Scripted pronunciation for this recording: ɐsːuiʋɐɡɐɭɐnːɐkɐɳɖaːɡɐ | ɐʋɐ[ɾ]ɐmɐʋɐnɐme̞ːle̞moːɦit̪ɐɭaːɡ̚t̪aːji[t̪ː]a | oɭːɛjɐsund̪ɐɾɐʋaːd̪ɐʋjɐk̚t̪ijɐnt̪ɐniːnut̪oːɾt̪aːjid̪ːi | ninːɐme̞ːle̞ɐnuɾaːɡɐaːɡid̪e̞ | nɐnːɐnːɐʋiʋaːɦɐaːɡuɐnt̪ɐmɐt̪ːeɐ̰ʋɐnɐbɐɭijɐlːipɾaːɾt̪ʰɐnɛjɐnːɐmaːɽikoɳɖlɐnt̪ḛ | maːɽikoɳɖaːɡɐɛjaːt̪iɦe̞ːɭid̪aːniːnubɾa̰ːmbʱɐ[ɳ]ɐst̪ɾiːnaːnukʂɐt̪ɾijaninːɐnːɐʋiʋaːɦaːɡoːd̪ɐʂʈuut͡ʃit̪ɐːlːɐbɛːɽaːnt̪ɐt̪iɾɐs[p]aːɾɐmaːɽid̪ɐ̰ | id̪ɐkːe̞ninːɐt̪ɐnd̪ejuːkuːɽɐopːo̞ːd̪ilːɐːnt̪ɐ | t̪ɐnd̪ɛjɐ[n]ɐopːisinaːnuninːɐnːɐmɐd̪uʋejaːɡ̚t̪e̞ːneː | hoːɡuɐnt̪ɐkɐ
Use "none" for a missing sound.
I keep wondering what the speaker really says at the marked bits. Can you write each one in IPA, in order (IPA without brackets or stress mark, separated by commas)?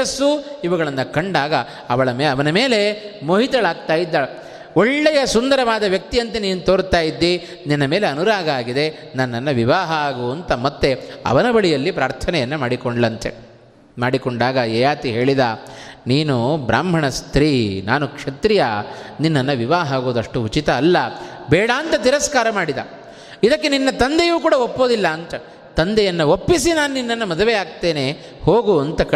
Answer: ɭ, d̪ː, ɳ, k, nː